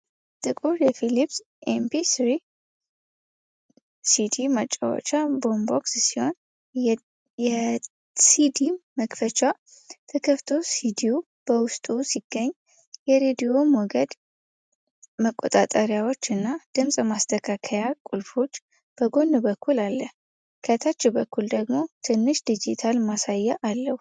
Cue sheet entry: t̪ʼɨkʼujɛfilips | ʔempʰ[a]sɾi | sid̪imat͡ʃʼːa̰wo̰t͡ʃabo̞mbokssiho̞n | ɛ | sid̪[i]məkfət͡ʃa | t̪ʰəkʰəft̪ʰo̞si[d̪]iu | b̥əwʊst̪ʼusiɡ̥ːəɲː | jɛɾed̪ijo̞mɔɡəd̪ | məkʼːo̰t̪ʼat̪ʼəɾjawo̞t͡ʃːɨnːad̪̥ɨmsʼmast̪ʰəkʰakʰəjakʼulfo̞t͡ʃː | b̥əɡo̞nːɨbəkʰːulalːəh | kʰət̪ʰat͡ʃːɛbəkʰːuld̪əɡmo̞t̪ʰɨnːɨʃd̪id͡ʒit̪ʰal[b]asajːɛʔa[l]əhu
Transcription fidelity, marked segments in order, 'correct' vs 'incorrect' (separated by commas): incorrect, correct, correct, incorrect, incorrect